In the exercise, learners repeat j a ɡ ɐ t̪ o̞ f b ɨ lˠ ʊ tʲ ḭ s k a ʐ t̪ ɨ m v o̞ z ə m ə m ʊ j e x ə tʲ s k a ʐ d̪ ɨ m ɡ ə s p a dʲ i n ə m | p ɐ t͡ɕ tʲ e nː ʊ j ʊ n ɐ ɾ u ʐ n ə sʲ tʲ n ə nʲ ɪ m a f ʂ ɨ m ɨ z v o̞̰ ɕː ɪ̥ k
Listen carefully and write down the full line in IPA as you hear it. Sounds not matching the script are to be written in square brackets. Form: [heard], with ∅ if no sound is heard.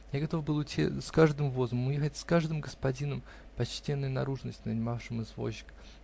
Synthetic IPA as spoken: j a ɡ ɐ t̪ o̞ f b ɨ lˠ ʊ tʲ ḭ s k a ʐ [d̪] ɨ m v o̞ z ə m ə m ʊ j e x ə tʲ s k a ʐ d̪ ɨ m ɡ ə s p [ɐ] dʲ i n ə m | p ɐ t͡ɕ tʲ e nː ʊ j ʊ n ɐ ɾ u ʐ n ə sʲ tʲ n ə nʲ ɪ m a f ʂ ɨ m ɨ z v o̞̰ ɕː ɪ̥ k